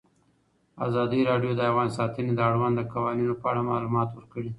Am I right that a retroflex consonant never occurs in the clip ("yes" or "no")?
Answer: no